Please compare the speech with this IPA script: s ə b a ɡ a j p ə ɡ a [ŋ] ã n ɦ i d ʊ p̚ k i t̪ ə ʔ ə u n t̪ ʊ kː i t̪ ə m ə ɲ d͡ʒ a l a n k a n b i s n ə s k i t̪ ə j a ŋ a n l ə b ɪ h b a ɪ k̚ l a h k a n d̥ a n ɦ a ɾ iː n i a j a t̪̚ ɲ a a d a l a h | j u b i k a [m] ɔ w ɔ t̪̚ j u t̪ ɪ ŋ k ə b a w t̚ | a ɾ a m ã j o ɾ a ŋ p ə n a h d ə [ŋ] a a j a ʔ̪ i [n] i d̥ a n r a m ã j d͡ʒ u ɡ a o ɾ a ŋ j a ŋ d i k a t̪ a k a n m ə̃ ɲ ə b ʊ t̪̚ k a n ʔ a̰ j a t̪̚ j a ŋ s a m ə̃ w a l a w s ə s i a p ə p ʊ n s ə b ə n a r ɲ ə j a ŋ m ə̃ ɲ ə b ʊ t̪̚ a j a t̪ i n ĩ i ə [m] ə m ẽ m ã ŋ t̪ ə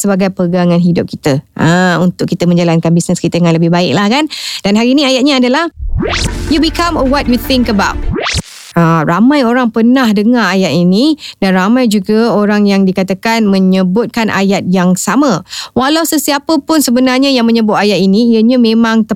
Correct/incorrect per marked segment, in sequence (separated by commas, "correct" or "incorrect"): correct, correct, correct, correct, incorrect